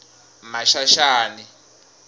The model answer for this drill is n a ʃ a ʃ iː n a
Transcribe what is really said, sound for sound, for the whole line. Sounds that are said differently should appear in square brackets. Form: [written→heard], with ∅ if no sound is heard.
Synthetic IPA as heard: [n→m] a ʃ a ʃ [iː→aː] n [a→i]